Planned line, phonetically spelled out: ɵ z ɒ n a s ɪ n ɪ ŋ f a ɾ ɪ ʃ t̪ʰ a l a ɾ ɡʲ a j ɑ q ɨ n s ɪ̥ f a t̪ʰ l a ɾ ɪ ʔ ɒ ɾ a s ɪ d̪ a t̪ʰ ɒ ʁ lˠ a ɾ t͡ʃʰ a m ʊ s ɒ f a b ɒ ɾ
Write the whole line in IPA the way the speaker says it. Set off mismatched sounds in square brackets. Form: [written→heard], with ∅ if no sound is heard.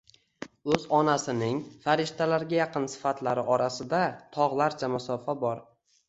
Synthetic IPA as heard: ɵ z ɒ n a s ɪ n ɪ ŋ f a ɾ ɪ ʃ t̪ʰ a l a ɾ ɡʲ a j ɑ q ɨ n s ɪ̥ f a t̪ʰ l a ɾ ɪ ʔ ɒ ɾ a s ɪ d̪ a t̪ʰ ɒ ʁ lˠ a ɾ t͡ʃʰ a m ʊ s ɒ f a b ɒ ɾ